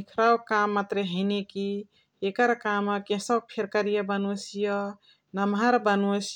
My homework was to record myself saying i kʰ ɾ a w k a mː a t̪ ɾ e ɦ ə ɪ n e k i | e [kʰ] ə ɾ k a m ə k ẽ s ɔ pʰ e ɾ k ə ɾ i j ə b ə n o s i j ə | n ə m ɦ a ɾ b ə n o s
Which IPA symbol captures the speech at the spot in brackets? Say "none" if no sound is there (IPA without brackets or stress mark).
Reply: k